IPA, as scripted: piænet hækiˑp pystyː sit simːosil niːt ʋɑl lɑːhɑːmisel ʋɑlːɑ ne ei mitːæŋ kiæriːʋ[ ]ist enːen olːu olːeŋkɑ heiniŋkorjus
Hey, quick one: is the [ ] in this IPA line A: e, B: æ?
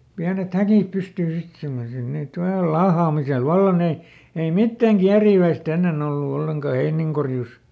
B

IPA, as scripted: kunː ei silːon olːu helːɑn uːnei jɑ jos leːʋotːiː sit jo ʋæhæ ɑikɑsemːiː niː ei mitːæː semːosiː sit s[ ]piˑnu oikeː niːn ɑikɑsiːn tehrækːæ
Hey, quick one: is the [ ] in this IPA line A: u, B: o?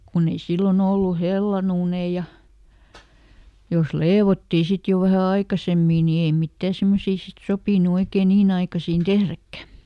B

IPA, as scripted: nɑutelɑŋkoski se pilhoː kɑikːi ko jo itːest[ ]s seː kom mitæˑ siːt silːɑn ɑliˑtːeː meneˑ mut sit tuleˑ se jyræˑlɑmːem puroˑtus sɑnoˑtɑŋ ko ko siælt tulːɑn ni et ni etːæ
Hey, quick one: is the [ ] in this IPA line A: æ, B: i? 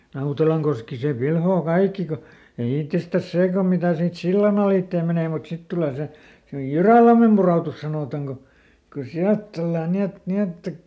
A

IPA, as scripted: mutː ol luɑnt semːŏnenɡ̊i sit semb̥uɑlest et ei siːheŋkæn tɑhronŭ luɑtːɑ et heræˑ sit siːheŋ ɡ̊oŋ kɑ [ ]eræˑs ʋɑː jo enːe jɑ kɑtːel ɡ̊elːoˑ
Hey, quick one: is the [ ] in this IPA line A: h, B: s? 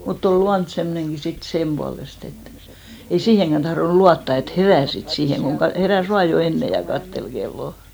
A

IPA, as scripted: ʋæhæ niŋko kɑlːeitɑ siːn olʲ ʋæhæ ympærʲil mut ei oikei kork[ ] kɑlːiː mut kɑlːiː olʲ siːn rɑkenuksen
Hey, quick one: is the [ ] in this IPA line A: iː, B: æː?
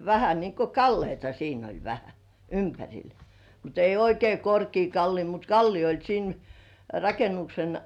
A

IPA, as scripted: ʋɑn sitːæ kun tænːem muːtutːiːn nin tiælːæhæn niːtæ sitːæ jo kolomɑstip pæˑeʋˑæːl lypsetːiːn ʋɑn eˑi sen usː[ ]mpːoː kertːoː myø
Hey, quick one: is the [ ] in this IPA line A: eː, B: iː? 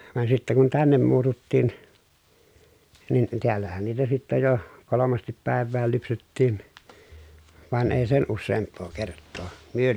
A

